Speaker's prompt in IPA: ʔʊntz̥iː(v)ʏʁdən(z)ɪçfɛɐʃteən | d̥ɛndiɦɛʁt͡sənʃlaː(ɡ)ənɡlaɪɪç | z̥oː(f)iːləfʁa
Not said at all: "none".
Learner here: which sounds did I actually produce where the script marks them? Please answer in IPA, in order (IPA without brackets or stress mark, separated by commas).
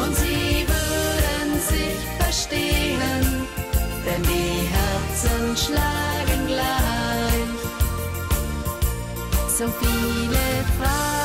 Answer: v, z, ɡ, f